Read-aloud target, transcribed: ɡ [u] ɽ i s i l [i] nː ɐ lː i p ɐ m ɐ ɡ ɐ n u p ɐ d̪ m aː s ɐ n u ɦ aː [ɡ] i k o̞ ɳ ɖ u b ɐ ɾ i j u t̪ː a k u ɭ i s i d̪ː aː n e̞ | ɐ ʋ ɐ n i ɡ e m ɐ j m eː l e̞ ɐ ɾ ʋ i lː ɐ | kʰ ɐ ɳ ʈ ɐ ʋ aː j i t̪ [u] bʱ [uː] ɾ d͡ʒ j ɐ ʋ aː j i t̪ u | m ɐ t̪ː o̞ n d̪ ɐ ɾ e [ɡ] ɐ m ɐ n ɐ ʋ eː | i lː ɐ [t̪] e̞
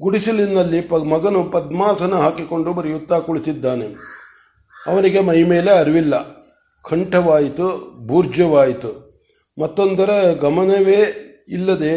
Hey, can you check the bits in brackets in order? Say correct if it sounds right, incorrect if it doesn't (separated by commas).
correct, correct, incorrect, correct, correct, correct, incorrect